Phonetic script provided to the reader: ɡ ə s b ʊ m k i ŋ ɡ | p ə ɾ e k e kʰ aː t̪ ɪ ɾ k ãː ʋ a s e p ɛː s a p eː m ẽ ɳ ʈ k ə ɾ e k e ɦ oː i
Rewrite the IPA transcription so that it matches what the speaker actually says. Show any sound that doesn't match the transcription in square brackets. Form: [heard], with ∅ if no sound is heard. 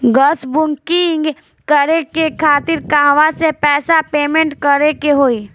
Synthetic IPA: ɡ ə s b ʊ [ŋ] k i ŋ ɡ | [k] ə ɾ e k e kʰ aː t̪ ɪ ɾ k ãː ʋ a s e p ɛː s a p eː m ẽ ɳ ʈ k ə ɾ e k e ɦ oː i